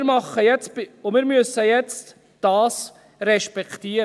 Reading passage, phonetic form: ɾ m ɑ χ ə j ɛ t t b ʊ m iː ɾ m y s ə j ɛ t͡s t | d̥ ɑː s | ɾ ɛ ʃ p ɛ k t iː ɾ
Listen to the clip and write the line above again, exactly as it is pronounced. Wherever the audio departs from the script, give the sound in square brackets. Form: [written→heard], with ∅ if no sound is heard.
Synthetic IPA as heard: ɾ m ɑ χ ə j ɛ [t→t͡s] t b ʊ m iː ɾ m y s ə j ɛ t͡s t | d̥ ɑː s | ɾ ɛ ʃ p ɛ k t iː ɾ

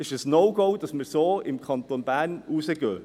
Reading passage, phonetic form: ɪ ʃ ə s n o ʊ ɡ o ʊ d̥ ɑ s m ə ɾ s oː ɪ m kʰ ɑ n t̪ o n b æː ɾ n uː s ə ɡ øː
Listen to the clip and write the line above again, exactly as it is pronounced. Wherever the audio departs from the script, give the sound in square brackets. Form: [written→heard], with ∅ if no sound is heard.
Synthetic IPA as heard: ɪ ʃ ə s n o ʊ ɡ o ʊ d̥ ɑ s m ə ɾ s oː ɪ m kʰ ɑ n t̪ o n b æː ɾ n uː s ə ɡ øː

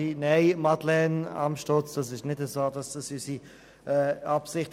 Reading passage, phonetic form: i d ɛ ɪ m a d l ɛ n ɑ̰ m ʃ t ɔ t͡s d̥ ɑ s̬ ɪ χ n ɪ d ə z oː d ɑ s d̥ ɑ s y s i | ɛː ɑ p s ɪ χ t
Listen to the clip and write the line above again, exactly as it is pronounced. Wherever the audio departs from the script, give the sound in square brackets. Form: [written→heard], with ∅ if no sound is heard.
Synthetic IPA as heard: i [d→n] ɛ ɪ m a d l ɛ n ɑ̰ m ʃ t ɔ t͡s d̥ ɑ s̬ ɪ [χ→ʃ] n ɪ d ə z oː d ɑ s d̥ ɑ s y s i | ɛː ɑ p s ɪ χ t

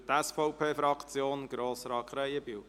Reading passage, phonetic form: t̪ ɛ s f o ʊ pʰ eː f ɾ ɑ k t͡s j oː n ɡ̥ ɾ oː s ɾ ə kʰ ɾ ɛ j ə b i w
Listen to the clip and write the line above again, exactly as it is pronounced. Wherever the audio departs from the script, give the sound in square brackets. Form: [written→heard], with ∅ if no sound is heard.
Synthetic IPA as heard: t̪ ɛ s f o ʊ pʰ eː f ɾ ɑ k t͡s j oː n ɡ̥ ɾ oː s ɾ [ə→ɑ] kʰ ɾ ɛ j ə b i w

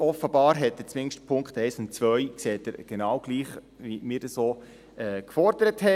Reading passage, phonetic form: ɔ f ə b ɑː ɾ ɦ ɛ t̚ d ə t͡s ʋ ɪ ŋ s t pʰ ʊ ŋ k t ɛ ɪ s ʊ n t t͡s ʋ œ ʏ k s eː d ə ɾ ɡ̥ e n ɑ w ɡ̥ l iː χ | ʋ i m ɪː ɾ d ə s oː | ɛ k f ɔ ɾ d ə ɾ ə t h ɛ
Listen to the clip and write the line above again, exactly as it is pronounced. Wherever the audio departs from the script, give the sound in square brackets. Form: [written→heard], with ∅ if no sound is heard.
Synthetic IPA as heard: ɔ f ə b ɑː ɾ ɦ ɛ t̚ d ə t͡s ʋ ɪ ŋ [s→ʃ] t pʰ ʊ ŋ k t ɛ ɪ s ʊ n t t͡s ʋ œ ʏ k s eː [d→t] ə ɾ ɡ̥ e n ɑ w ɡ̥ l iː χ | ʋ i m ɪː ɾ d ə s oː | ɛ k f ɔ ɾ d ə ɾ ə t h ɛ

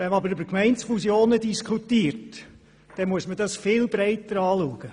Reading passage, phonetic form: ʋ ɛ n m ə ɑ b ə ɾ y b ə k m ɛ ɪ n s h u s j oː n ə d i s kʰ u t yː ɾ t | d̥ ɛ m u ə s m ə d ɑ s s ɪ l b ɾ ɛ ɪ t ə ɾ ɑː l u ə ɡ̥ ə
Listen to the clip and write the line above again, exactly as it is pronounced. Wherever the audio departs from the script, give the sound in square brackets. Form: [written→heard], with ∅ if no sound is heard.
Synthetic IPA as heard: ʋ ɛ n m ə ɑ b ə ɾ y b ə k m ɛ ɪ n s [h→f] u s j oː n ə d i s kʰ u t [yː→iː] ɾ t | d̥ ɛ m u ə s m ə d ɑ s [s→f] ɪ l b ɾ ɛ ɪ t ə ɾ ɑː l u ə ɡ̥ ə

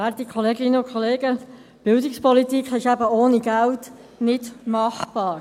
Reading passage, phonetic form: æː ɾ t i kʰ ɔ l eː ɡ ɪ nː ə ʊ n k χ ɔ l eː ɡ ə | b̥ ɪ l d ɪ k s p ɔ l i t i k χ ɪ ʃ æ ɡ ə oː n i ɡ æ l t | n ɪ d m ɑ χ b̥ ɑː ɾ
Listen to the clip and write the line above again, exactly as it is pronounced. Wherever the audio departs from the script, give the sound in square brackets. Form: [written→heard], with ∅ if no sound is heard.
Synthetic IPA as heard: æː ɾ t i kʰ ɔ l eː ɡ ɪ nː ə ʊ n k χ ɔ l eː ɡ ə | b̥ ɪ l d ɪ k s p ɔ l i t i k χ ɪ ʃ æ [ɡ→b] ə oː n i ɡ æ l t | n ɪ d m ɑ χ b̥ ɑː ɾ

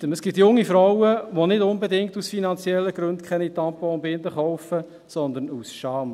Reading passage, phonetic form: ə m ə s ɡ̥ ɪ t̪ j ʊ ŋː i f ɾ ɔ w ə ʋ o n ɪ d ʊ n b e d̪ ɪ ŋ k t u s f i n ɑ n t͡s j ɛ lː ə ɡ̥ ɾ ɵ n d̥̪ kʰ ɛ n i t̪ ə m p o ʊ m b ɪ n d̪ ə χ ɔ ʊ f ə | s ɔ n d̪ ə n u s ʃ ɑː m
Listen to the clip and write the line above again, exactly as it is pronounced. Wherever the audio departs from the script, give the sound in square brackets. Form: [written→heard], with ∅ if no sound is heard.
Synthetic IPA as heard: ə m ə s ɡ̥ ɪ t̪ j ʊ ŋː i f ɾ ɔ w ə ʋ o n ɪ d ʊ n b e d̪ ɪ ŋ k t u s f i n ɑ n t͡s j ɛ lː ə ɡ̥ ɾ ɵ n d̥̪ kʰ ɛ n i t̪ [ə→ɑ] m p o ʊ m b ɪ n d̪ ə χ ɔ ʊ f ə | s ɔ n d̪ ə n u s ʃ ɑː m

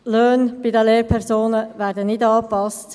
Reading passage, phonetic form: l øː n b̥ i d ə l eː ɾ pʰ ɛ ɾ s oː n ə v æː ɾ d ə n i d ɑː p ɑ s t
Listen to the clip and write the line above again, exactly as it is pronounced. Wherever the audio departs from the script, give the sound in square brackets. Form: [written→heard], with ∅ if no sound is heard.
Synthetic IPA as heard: l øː n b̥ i d ə l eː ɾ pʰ ɛ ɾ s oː n ə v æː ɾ d ə n [i→ɪ] d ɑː p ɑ s t

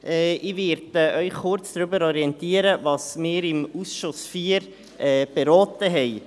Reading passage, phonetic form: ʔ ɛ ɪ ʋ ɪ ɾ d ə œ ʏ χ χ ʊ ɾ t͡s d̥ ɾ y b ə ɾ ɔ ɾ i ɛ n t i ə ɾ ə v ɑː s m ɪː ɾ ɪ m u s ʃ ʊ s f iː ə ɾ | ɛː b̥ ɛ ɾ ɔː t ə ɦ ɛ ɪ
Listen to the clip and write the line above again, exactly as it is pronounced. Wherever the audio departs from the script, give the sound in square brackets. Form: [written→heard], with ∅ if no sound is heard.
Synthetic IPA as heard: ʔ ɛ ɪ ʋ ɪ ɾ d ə œ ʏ χ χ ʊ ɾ t͡s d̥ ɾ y b ə ɾ ɔ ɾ i ɛ n t i ə ɾ ə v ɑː s m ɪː ɾ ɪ m u s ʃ ʊ s f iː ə ɾ | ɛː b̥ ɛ ɾ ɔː t ə ɦ ɛ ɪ

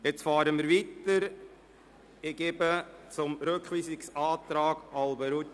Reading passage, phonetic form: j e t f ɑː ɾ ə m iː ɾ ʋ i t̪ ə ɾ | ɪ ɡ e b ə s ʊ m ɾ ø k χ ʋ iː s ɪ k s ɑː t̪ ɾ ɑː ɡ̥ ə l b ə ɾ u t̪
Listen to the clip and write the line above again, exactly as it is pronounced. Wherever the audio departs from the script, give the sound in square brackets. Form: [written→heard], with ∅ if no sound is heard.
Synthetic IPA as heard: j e [t→t͡s] f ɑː ɾ ə m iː ɾ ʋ i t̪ ə ɾ | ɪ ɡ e b ə [s→t͡s] ʊ m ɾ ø k χ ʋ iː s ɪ k s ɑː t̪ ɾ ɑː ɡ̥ [ə→ɑ] l b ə ɾ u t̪

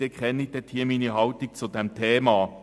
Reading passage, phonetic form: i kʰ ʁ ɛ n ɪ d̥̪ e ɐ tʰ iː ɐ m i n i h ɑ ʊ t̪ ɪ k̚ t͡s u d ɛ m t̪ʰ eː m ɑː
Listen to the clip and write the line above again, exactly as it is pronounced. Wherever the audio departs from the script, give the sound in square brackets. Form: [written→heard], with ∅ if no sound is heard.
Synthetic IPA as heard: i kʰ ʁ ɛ n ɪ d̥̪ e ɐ tʰ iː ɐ m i n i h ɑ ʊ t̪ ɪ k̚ t͡s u d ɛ m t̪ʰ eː m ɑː

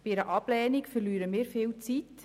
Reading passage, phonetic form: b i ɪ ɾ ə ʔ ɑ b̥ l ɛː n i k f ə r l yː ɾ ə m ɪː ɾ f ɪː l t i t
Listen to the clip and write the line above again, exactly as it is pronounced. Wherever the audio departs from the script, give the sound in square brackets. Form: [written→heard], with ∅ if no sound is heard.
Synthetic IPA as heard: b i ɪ ɾ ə ʔ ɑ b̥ l ɛː n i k f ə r l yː ɾ ə m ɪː ɾ f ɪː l [t→t͡s] i t

